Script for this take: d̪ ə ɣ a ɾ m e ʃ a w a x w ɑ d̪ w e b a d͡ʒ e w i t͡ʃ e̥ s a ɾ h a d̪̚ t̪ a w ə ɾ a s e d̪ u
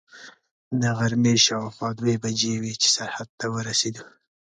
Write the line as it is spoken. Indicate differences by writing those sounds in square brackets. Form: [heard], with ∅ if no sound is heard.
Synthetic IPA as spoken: d̪ ə ɣ a ɾ m e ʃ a w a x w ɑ d̪ w e b a d͡ʒ e w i t͡ʃ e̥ s a ɾ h a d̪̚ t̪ a w ə ɾ a s e d̪ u